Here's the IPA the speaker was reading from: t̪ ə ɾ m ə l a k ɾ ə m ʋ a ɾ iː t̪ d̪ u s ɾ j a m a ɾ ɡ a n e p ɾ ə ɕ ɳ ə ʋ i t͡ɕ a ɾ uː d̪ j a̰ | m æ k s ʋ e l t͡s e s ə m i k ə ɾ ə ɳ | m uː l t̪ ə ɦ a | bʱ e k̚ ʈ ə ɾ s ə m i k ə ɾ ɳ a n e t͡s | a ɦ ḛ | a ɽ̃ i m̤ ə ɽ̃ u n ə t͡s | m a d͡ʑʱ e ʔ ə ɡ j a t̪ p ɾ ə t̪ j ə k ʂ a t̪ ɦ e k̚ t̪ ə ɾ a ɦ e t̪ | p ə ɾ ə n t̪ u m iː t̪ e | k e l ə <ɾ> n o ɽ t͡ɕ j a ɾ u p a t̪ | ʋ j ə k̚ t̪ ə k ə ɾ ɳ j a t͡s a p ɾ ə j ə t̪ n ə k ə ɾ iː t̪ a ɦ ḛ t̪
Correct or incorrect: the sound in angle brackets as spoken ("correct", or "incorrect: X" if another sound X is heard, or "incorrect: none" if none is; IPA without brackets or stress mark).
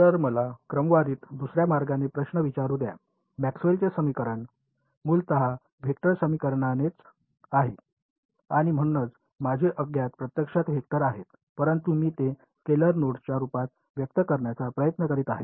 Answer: correct